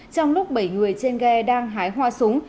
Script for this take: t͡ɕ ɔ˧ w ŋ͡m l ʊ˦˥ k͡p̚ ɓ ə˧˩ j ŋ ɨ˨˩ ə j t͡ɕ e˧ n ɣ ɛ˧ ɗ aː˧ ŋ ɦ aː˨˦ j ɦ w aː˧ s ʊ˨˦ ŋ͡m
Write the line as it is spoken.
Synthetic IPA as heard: t͡ɕ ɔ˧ w ŋ͡m l ʊ˦˥ k͡p̚ ɓ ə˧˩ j ŋ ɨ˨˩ ə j t͡ɕ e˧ n ɣ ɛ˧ ɗ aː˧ ŋ ɦ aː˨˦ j ɦ w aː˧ s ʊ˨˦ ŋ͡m